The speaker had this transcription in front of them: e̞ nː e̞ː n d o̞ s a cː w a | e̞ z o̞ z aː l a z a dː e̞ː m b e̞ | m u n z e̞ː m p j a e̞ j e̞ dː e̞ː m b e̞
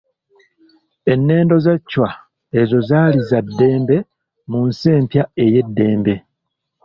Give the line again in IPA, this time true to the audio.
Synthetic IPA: e̞ nː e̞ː n d o̞ z a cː w a | e̞ z o̞ z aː l i z a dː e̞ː m b e̞ | m u n s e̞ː m p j a e̞ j e̞ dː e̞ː m b e̞